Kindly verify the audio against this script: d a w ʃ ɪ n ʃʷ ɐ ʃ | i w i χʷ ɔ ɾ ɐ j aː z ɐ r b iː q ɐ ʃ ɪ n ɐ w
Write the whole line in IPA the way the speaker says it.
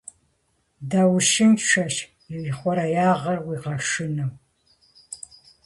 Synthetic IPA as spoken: d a w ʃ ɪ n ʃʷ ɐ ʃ | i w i χʷ ɔ ɾ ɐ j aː ʁ ɐ r w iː q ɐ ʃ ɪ n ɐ w